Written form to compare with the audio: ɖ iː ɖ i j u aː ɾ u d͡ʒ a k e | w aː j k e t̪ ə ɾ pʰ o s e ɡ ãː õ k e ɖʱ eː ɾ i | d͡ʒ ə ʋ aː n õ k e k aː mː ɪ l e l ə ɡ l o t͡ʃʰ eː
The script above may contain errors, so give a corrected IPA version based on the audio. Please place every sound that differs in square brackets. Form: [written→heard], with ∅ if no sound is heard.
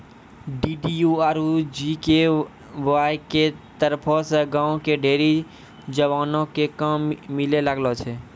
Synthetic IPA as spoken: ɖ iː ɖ i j u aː ɾ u d͡ʒ [a→i] k e | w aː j k e t̪ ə ɾ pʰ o s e ɡ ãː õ k e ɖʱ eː ɾ i | d͡ʒ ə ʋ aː n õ k e k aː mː ɪ l e l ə ɡ l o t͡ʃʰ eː